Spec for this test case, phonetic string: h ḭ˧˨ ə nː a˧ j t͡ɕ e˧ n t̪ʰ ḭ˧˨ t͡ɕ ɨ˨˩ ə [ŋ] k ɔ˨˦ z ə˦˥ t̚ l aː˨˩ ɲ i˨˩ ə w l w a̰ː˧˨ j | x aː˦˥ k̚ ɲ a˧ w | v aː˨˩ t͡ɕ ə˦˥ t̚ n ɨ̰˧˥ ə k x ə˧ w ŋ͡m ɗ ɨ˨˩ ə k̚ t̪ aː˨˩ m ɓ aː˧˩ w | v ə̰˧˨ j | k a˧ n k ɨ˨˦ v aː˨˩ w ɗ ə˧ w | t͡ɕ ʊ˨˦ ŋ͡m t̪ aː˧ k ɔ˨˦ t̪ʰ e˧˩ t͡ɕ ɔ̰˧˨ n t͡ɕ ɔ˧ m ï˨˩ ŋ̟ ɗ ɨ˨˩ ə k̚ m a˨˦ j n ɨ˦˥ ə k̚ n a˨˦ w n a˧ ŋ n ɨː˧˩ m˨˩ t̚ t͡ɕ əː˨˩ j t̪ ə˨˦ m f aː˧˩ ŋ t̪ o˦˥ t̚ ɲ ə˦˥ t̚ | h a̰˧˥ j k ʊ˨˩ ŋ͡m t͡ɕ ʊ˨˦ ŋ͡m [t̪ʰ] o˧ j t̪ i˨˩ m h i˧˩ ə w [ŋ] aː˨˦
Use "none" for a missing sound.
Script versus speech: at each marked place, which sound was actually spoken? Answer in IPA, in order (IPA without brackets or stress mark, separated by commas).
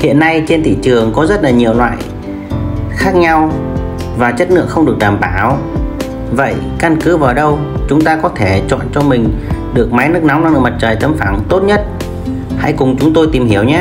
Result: ŋ, t̪, ɲ